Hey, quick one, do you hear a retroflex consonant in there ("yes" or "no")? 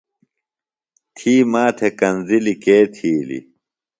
no